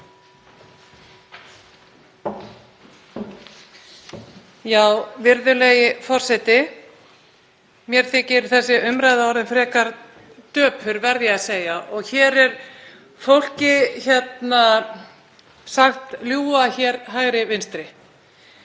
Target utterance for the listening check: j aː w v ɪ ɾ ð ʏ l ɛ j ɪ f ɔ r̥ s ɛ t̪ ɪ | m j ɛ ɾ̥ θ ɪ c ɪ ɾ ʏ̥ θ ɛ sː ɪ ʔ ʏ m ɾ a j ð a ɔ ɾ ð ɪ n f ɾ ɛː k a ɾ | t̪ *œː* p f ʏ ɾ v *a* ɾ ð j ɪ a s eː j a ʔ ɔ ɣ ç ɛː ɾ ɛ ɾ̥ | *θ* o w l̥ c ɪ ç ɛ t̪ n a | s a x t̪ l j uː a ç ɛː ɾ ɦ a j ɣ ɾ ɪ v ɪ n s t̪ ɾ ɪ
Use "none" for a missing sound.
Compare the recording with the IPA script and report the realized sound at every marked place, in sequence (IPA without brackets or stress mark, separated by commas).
œː, ɛ, f